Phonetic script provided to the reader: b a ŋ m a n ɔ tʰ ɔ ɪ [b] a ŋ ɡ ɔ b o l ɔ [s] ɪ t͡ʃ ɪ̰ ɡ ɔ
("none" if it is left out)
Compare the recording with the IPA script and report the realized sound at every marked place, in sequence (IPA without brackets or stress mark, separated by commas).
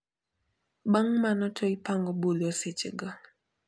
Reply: p, s